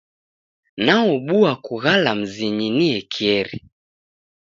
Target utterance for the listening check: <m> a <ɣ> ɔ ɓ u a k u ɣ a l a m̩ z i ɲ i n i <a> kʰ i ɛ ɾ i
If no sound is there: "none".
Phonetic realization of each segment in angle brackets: n, none, ɛ

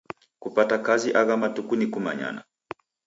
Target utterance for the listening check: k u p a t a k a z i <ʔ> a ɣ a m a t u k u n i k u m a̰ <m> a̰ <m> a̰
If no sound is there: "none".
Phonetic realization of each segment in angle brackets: ʔ, ɲ, n

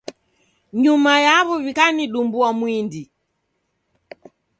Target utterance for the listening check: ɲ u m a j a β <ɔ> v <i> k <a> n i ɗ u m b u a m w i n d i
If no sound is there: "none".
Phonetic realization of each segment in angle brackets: ɔ, i, a

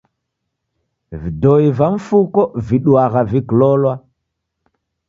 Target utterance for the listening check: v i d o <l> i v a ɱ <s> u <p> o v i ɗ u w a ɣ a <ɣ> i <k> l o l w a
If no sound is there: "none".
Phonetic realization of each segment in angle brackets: none, f, k, v, k

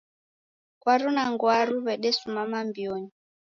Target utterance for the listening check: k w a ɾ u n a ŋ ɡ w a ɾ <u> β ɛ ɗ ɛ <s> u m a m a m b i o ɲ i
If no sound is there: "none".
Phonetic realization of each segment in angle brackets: u, s

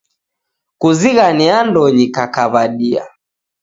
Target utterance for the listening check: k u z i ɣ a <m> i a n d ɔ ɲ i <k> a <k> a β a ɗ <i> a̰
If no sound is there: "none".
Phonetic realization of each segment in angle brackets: n, k, k, i

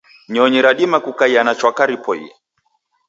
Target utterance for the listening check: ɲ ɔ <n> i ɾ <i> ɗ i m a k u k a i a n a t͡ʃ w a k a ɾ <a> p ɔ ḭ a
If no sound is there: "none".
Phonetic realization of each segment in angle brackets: ɲ, a, i

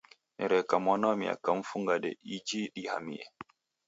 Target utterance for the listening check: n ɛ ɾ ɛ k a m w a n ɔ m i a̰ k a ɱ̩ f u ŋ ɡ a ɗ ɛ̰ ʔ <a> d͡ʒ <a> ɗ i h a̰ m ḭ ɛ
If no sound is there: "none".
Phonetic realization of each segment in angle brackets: i, i

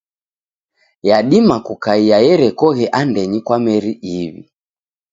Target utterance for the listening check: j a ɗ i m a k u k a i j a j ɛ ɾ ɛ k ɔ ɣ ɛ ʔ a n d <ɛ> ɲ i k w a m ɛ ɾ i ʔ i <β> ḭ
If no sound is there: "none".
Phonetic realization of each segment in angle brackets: ɛ, β

